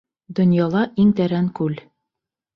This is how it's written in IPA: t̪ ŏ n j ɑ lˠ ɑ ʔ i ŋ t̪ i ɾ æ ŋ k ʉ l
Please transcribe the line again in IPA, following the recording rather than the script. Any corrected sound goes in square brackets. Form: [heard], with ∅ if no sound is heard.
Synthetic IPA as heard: [d̪] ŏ n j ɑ lˠ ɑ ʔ i ŋ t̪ [æ] ɾ æ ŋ k ʉ l